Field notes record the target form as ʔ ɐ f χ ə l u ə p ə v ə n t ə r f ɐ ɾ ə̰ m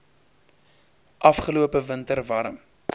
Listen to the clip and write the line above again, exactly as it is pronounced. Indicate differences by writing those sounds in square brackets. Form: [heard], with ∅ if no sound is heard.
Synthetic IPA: ʔ ɐ f χ ə l u ə p ə v ə n t ə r [v] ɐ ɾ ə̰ m